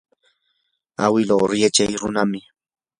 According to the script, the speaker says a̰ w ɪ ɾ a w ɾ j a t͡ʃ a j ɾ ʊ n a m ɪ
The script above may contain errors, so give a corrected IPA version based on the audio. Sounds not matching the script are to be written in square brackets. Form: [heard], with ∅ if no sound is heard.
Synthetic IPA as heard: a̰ w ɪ [l] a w ɾ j a t͡ʃ a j ɾ ʊ n a m ɪ